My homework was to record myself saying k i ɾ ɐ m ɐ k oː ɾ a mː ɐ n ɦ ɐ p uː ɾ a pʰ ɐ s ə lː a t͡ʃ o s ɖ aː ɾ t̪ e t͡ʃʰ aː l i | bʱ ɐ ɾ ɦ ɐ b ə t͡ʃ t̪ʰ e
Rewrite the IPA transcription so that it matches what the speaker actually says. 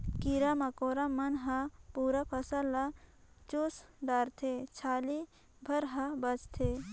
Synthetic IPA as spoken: k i ɾ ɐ m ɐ k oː ɾ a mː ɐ n ɦ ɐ p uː ɾ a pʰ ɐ s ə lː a t͡ʃ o s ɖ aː ɾ t̪ʰ e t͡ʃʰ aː l i | bʱ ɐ ɾ ɦ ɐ b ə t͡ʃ t̪ʰ e